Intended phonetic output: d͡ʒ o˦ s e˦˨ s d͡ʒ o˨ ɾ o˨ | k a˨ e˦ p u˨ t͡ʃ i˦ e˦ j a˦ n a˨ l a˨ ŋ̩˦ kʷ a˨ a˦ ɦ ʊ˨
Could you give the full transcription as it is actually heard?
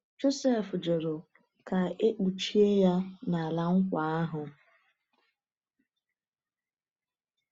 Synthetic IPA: d͡ʒ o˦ s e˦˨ f d͡ʒ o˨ ɾ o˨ | k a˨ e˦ k͡p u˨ t͡ʃ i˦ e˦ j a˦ n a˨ l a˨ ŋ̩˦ kʷ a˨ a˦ ɦ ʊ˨